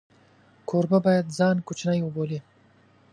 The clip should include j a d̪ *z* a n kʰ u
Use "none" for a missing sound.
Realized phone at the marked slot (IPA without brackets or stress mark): z